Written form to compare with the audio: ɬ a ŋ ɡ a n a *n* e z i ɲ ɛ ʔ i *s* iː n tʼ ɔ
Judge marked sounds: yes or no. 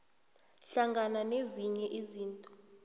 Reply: yes, no

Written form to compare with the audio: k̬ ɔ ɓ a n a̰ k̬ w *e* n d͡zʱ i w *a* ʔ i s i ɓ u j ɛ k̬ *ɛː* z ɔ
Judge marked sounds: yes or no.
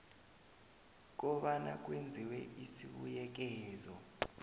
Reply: yes, no, yes

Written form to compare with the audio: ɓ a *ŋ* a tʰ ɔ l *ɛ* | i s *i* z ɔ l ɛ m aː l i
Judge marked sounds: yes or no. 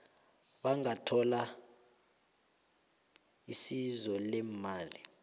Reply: yes, no, yes

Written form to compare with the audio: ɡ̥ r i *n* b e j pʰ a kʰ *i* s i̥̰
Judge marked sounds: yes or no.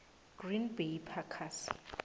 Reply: yes, no

